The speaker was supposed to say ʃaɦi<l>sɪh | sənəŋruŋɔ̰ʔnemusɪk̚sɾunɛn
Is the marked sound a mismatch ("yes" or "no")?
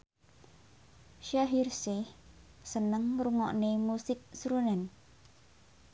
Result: yes